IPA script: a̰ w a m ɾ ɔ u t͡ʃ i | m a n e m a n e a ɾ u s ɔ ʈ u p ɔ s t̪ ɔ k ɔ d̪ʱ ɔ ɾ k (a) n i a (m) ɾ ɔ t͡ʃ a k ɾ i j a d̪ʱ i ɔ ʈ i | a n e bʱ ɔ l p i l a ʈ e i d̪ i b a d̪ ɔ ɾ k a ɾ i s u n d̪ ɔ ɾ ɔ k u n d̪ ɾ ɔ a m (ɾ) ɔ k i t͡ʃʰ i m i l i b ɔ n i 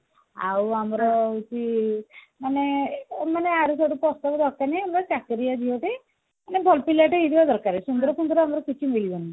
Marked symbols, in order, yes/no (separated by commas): yes, yes, yes